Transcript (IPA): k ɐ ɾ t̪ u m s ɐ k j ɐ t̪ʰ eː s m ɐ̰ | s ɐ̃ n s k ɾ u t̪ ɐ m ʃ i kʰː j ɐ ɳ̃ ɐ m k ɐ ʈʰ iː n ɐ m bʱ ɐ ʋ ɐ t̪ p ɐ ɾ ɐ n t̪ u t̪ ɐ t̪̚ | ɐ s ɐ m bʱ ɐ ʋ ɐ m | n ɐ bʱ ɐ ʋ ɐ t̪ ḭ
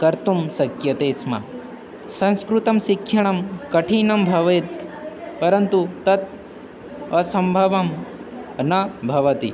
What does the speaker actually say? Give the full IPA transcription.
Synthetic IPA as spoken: k ɐ ɾ t̪ u m s ɐ k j ɐ t̪ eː s m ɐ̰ | s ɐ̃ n s k ɾ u t̪ ɐ m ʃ i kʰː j ɐ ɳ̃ ɐ m k ɐ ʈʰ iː n ɐ m bʱ ɐ ʋ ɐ t̪ p ɐ ɾ ɐ n t̪ u t̪ ɐ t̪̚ | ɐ s ɐ m bʱ ɐ ʋ ɐ m | n ɐ bʱ ɐ ʋ ɐ t̪ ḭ